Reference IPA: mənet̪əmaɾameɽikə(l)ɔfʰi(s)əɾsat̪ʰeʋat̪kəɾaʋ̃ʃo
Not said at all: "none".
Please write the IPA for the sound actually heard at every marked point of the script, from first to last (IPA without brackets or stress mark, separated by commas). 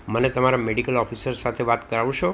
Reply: l, s